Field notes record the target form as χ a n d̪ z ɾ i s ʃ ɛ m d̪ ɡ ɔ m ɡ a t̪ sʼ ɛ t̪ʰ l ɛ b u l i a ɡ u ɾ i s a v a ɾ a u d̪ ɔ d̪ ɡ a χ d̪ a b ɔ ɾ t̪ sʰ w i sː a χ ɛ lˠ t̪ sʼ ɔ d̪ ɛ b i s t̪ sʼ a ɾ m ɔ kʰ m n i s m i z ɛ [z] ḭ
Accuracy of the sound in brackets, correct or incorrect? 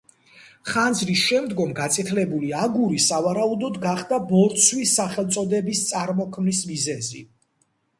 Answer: correct